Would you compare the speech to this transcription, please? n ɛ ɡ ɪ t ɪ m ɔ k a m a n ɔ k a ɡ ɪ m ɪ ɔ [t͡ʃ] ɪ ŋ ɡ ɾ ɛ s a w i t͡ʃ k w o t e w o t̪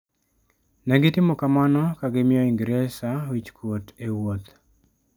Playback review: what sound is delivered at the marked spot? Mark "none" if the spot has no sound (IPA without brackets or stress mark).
none